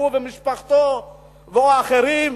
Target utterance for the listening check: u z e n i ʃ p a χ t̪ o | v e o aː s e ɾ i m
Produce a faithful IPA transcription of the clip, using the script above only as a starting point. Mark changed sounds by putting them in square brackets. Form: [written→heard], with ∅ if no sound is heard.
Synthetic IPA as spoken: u [z→v] e [n→m] i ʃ p a χ t̪ o | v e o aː [s→χ] e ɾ i m